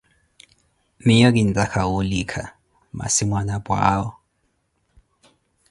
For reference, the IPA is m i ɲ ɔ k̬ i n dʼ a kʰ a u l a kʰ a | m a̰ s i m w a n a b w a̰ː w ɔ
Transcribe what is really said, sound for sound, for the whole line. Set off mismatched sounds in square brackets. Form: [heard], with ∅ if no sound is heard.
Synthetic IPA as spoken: m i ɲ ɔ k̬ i n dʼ a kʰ a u l [i] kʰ a | m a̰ s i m w a n a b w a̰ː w ɔ

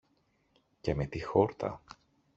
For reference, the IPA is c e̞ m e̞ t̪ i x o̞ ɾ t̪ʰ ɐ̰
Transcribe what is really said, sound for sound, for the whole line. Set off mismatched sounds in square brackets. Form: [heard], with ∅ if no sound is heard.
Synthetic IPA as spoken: c e̞ m e̞ t̪ i x o̞ ɾ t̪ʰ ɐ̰

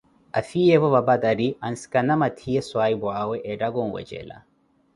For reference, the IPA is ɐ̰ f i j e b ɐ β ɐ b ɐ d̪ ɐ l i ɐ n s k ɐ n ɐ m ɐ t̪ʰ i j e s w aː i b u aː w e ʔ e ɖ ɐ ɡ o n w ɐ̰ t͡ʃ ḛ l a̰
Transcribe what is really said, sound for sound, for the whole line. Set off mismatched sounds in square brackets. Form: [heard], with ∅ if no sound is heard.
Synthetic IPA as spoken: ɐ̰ f i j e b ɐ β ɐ b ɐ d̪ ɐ [ɾ] i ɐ n s k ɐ n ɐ m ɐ t̪ʰ i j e s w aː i b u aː w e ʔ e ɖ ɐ ɡ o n w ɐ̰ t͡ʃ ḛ l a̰

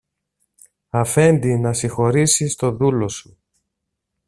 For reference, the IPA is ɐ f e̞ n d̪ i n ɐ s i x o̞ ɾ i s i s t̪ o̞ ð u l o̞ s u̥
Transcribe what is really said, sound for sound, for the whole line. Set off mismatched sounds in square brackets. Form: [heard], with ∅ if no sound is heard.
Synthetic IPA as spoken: ɐ f e̞ n d̪ i n ɐ s i x o̞ ɾ i s i s t̪ o̞ ð u l o̞ s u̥

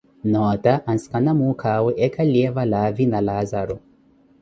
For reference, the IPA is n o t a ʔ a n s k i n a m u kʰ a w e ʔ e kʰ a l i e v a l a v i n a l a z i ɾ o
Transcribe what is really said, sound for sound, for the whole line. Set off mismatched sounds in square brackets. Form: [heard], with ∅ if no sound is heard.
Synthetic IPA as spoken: n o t a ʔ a n s k [a] n a m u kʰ a w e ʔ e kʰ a l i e v a l a v i n a l a z [a] ɾ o

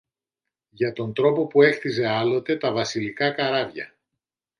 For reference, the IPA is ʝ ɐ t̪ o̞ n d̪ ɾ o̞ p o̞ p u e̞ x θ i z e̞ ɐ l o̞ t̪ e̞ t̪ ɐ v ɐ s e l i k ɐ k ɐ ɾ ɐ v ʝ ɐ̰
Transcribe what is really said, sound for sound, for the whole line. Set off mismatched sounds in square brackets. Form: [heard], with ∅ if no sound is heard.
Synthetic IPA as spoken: ʝ ɐ t̪ o̞ n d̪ ɾ o̞ p o̞ p u e̞ x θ i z e̞ ɐ l o̞ t̪ e̞ t̪ ɐ v ɐ s [i] l i k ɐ k ɐ ɾ ɐ v ʝ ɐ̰

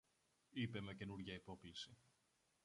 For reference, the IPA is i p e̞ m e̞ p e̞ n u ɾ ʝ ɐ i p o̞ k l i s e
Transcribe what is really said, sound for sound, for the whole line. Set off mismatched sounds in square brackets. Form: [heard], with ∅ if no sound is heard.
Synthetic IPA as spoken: i p e̞ m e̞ [c] e̞ n u ɾ ʝ ɐ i p o̞ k l i s [i]

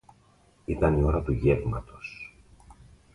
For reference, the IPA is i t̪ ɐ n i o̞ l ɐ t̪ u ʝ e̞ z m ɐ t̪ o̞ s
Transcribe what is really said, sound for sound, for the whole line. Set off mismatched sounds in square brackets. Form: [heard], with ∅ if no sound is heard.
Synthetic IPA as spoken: i t̪ ɐ n i o̞ [ɾ] ɐ t̪ u ʝ e̞ [v] m ɐ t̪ o̞ s

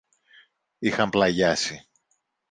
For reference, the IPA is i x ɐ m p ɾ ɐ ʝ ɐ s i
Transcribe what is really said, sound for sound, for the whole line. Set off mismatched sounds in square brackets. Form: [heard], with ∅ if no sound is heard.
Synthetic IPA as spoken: i x ɐ m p [l] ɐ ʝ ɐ s i

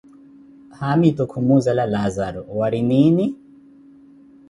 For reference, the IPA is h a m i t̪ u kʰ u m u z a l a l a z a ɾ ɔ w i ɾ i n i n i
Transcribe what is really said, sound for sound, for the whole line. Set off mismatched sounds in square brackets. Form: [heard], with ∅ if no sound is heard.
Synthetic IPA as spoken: h a m i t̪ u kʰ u m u z a l a l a z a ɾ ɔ w [a] ɾ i n i n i

